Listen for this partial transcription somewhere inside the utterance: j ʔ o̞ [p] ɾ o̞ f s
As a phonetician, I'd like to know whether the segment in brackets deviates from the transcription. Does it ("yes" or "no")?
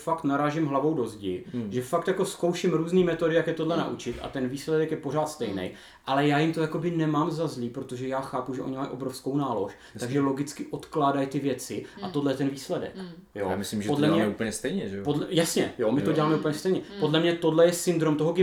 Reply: yes